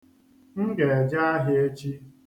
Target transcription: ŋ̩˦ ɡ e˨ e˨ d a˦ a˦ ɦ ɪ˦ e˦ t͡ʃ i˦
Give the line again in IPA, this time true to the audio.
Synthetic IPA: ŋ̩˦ ɡ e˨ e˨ d͡ʒ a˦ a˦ ɦ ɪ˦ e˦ t͡ʃ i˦